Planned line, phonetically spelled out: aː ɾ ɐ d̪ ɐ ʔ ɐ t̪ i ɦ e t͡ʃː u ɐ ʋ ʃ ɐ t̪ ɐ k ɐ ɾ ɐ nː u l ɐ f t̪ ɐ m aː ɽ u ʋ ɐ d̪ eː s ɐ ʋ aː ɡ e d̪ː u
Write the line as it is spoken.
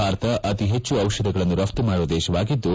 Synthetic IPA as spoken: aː ɾ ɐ t̪ ɐ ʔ ɐ t̪ i ɦ e t͡ʃː u ɐ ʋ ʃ ɐ d̪ ɐ ɡ ɐ ɭ ɐ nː u ɾ ɐ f t̪ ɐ m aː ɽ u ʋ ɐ d̪ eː ʃ ɐ ʋ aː ɡ i d̪ː u